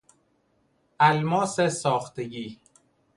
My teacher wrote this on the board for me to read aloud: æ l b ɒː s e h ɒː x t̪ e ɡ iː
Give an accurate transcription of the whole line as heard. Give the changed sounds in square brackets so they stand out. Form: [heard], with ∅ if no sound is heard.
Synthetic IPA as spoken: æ l [m] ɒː s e [s] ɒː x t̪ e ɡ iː